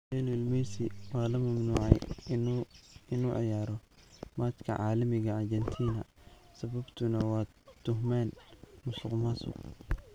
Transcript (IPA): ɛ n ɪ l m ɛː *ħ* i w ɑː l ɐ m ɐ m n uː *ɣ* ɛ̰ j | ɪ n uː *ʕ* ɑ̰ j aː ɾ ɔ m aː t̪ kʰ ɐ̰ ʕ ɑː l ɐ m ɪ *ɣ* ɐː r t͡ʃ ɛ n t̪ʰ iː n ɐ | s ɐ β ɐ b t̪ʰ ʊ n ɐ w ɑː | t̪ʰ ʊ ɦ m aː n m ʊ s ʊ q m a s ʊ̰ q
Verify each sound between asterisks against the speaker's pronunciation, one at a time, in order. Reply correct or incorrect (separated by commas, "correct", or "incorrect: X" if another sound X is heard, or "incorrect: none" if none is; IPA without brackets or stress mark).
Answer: incorrect: s, incorrect: ʕ, correct, correct